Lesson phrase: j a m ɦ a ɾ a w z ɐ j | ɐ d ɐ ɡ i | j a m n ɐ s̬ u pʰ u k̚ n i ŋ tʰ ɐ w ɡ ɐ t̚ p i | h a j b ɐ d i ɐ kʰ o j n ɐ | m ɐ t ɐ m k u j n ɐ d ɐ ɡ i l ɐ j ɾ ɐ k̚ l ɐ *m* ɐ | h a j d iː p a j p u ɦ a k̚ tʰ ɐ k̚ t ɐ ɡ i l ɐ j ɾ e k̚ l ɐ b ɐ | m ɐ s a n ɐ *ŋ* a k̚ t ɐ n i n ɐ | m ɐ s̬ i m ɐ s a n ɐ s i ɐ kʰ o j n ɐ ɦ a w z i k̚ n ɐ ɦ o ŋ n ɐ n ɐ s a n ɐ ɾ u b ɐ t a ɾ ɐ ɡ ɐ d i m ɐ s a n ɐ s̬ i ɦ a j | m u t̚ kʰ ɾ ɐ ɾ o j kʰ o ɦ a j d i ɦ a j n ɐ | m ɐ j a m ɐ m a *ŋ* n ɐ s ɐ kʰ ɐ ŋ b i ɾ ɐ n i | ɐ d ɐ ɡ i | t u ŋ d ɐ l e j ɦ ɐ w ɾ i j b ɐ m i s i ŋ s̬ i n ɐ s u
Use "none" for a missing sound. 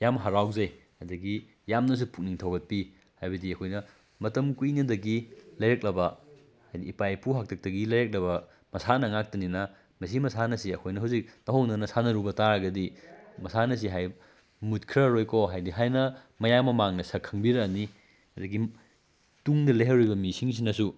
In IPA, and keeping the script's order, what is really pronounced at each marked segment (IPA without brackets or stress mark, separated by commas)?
b, ŋ, ŋ